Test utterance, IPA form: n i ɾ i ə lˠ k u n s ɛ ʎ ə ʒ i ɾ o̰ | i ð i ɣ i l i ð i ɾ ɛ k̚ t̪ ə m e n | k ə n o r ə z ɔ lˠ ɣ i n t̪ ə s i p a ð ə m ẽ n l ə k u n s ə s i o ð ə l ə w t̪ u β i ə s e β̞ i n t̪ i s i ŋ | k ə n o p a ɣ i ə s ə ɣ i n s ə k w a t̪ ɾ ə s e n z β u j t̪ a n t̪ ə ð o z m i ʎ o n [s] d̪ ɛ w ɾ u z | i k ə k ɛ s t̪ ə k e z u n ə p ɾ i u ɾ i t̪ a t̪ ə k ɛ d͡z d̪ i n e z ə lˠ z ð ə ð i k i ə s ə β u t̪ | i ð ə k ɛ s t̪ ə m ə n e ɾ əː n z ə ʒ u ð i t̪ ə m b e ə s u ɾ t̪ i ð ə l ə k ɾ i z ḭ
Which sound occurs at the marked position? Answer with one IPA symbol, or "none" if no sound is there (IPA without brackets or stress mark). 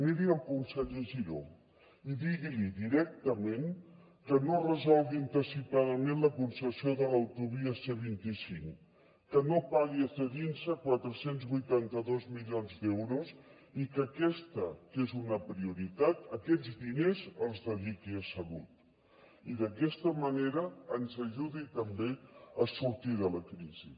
z